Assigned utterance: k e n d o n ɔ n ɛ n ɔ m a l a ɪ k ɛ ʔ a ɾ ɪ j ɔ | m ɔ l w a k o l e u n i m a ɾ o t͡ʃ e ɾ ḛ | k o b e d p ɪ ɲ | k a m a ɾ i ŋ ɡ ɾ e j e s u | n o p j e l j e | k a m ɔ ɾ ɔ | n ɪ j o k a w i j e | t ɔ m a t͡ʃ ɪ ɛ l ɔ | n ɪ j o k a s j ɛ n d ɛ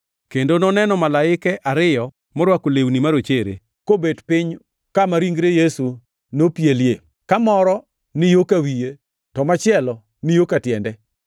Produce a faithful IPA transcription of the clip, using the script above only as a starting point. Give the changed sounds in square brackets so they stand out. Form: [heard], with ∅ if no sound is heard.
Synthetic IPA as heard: k e n d o n ɔ n ɛ n ɔ m a l a ɪ k ɛ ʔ a ɾ ɪ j ɔ | m ɔ [ɾ] w a k o l e [w] n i m a ɾ o t͡ʃ e ɾ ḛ | k o b e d p ɪ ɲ | k a m a ɾ i ŋ ɡ ɾ e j e s u | n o p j e l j e | k a m ɔ ɾ ɔ | n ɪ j o k a w i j e | t ɔ m a t͡ʃ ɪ ɛ l ɔ | n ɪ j o k a [t] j ɛ n d ɛ

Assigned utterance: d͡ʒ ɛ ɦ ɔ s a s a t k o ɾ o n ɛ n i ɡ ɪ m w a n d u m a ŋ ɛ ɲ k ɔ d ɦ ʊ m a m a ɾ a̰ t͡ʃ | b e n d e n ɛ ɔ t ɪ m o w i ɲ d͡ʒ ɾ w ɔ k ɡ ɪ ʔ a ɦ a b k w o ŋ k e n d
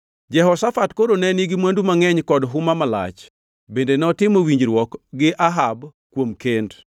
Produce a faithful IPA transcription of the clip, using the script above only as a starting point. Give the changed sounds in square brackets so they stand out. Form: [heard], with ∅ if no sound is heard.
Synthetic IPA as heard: d͡ʒ ɛ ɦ ɔ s a [f] a t k o ɾ o n ɛ n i ɡ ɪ m w a n d u m a ŋ ɛ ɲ k ɔ d ɦ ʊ m a m a [l] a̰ t͡ʃ | b e n d e n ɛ ɔ t ɪ m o w i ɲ d͡ʒ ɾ w ɔ k ɡ ɪ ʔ a ɦ a b k w o [m] k e n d

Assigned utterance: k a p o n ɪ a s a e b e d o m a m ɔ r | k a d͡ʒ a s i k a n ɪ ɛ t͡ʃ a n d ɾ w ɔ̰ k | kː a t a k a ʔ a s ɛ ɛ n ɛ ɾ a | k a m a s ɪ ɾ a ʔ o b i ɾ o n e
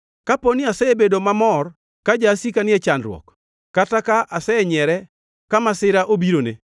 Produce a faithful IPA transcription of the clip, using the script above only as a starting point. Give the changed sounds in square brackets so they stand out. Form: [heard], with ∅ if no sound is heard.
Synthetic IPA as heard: k a p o n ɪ a s [ɛ] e b e d o m a m ɔ r | k a d͡ʒ a s i k a n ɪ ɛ t͡ʃ a n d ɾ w ɔ̰ k | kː a t a k a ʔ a s ɛ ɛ [ɲ] ɛ ɾ [ɛ] | k a m a s ɪ ɾ a ʔ o b i ɾ o n e

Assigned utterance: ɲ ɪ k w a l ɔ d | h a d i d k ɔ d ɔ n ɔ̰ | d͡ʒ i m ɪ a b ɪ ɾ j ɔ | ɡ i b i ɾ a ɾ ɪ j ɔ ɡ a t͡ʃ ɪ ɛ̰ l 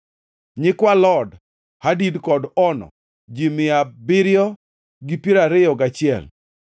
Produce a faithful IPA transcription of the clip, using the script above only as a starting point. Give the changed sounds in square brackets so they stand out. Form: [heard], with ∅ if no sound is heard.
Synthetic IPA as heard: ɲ ɪ k w a l ɔ d | h a d i d k ɔ d ɔ n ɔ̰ | d͡ʒ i m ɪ a b ɪ ɾ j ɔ | ɡ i [p] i ɾ a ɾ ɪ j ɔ ɡ a t͡ʃ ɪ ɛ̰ l

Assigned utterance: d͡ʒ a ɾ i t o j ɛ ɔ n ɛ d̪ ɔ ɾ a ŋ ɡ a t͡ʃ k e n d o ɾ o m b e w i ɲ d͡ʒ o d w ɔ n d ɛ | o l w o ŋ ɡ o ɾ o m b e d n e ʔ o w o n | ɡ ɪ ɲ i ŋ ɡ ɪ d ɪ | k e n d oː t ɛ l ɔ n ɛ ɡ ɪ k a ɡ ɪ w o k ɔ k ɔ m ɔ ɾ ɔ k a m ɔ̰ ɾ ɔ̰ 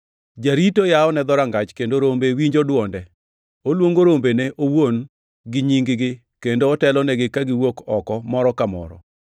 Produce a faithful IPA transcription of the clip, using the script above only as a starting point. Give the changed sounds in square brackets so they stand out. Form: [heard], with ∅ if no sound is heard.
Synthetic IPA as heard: d͡ʒ a ɾ i t o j [a] ɔ n ɛ d̪ ɔ ɾ a ŋ ɡ a t͡ʃ k e n d o ɾ o m b e w i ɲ d͡ʒ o d w ɔ n d ɛ | o l w o ŋ ɡ o ɾ o m b e [∅] n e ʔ o w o n | ɡ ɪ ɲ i ŋ ɡ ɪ [ɡ] ɪ | k e n d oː t ɛ l ɔ n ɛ ɡ ɪ k a ɡ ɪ w o k ɔ k ɔ m ɔ ɾ ɔ k a m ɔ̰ ɾ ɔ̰

